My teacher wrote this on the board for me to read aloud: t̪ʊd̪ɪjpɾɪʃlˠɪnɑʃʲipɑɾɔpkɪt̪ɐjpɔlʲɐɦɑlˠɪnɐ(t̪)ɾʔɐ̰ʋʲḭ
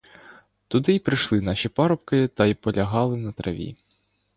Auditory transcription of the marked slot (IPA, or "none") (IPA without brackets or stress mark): t̪